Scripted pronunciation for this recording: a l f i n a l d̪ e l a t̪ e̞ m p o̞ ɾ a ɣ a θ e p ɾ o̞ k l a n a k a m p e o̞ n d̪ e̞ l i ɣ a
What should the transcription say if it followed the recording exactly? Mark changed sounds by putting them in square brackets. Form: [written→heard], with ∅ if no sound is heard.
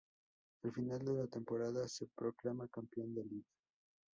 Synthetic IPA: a l f i n a l d̪ e l a t̪ e̞ m p o̞ ɾ a [ɣ→ð] a [θ→s] e p ɾ o̞ k l a [n→m] a k a m p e o̞ n d̪ e̞ l i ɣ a